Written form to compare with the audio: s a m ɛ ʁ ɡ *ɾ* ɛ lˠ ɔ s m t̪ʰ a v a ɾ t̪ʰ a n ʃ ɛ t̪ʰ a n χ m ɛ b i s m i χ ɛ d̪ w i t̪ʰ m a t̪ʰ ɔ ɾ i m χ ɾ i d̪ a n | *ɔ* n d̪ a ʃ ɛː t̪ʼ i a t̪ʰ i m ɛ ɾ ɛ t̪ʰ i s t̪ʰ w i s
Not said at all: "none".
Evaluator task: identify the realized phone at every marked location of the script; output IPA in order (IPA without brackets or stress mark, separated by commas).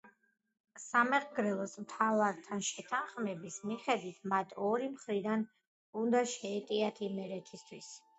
ɾ, u